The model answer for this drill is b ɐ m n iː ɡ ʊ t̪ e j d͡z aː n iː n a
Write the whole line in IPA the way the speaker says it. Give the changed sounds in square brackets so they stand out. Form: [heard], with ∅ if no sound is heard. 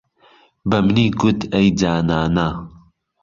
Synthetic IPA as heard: b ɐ m n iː ɡ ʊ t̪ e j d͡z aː n [aː] n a